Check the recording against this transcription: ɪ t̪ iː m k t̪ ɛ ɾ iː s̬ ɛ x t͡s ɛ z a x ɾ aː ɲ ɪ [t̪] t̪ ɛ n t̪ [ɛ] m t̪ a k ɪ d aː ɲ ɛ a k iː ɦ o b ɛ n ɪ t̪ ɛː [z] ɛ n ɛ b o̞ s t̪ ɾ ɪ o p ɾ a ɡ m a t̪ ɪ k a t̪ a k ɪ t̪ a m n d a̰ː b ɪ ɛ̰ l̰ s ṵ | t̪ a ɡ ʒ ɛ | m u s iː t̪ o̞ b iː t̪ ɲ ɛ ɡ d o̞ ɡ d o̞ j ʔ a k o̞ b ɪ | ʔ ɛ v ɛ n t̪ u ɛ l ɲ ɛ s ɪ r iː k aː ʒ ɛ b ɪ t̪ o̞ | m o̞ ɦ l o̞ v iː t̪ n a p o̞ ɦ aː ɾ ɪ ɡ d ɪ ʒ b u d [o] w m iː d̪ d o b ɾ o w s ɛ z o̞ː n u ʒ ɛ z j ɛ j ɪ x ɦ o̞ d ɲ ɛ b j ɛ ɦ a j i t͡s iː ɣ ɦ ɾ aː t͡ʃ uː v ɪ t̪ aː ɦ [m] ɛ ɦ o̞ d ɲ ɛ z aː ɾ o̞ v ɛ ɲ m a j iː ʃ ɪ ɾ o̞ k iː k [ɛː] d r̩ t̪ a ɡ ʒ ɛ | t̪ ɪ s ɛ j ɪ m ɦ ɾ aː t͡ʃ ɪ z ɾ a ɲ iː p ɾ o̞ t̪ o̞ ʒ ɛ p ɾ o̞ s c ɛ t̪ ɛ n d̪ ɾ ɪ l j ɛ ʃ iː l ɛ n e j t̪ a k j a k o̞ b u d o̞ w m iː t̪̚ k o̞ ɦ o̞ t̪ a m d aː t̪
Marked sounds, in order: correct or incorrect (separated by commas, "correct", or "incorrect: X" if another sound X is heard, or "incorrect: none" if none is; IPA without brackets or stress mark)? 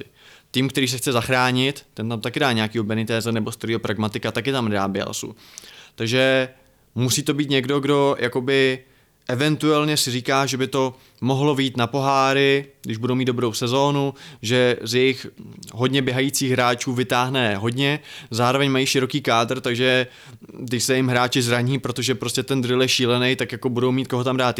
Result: correct, incorrect: a, correct, correct, incorrect: n, incorrect: aː